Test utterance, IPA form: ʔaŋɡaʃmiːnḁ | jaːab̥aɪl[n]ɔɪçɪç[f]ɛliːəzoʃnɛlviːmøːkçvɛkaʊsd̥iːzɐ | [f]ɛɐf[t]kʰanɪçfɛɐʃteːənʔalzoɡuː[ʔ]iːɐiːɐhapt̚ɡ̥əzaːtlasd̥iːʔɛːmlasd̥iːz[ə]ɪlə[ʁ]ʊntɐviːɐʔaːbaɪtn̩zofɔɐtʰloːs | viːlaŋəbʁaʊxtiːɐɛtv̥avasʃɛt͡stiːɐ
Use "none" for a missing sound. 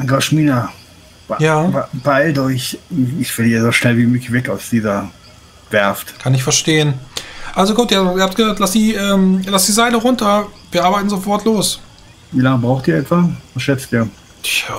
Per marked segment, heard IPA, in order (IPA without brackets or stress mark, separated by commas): d, f, v, t, t, a, ʁ